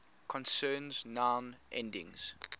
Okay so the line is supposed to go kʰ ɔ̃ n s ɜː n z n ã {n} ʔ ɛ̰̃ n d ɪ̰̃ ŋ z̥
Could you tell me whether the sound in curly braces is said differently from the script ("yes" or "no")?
no